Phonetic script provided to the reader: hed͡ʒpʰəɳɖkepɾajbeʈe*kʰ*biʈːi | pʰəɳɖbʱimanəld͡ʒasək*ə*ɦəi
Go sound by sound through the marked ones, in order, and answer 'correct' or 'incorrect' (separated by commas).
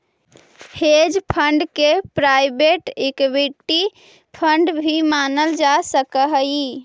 incorrect, correct